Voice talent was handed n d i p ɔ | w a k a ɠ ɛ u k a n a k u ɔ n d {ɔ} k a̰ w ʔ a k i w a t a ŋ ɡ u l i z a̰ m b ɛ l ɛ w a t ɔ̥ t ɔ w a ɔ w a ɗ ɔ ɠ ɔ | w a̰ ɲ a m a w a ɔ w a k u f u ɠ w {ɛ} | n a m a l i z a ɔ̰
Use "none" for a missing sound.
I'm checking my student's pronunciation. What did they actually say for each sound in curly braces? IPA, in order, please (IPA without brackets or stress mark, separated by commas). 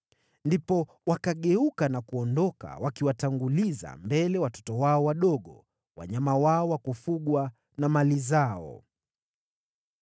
ɔ, a